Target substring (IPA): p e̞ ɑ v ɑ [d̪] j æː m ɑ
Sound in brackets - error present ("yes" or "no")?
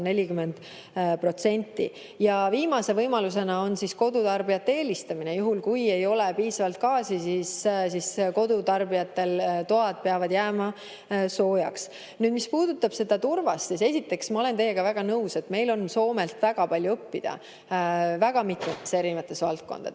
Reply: no